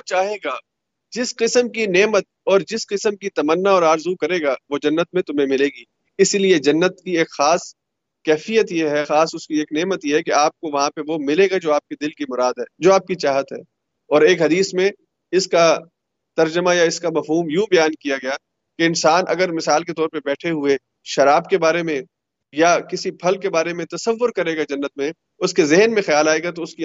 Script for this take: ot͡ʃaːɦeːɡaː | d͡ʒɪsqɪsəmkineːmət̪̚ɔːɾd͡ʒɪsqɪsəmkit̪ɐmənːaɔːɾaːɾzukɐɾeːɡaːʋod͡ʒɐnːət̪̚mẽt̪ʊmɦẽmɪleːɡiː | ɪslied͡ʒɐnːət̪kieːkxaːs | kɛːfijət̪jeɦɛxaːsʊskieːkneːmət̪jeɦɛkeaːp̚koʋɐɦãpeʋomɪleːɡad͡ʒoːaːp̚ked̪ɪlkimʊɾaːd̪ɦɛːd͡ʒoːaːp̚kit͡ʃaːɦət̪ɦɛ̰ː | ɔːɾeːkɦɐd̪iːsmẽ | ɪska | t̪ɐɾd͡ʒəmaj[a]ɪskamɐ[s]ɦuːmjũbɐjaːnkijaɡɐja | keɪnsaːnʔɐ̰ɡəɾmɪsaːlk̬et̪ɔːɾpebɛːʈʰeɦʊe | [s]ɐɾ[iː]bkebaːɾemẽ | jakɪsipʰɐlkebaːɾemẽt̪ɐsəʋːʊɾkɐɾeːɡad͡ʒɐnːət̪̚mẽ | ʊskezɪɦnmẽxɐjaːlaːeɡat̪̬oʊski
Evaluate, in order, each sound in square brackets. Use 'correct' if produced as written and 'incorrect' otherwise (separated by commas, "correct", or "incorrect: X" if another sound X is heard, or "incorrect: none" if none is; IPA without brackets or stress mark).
correct, incorrect: f, incorrect: ʃ, incorrect: aː